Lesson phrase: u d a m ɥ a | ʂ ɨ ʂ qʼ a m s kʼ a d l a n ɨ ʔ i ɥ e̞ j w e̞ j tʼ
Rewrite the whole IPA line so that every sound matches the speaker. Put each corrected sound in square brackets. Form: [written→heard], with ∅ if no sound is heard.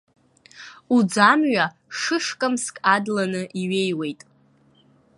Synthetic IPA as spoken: u [d→d͡z] a m ɥ a | ʂ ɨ ʂ [qʼ→kʼ] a m s kʼ a d l a n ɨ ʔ i ɥ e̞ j w e̞ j tʼ